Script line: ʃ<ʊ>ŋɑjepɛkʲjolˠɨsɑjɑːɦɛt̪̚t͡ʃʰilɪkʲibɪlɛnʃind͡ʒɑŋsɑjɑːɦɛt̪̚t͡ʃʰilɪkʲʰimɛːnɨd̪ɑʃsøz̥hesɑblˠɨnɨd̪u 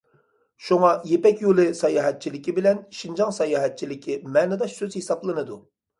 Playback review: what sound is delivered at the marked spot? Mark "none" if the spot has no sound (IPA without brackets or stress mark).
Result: u